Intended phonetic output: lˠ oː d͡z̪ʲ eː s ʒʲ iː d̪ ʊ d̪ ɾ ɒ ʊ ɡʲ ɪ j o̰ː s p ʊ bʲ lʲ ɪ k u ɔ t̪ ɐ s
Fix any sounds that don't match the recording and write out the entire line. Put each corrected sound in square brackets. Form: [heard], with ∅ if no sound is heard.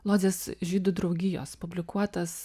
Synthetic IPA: lˠ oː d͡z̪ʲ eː s ʒʲ iː d̪ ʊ d̪ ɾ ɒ ʊ ɡʲ ɪ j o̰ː s p ʊ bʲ lʲ ɪ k u ɔ t̪ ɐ s